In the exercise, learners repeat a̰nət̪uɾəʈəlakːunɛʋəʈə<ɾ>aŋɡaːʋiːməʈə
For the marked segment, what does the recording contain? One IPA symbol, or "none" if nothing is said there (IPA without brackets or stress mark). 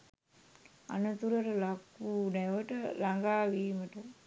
l